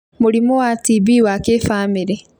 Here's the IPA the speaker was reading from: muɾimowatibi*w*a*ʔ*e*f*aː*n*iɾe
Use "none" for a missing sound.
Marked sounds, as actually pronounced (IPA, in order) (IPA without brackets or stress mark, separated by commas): w, k, f, m